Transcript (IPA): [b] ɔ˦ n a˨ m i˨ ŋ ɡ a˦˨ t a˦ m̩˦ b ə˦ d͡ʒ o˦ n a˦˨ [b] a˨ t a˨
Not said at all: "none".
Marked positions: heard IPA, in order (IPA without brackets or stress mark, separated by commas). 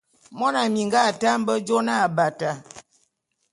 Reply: m, b